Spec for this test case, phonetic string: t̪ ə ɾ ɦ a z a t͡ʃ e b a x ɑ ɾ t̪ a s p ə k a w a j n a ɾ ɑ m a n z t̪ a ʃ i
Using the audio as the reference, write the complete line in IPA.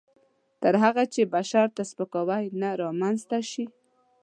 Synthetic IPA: t̪ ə ɾ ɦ a ɣ a t͡ʃ e b a ʃ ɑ ɾ t̪ a s p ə k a w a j n a ɾ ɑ m a n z t̪ a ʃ i